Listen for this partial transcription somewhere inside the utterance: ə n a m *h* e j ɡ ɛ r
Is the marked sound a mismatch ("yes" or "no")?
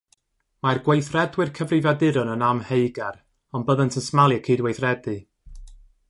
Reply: no